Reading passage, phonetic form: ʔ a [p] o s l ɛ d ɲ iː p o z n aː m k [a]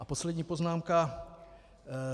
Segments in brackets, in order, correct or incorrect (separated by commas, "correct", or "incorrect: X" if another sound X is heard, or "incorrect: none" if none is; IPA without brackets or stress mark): correct, correct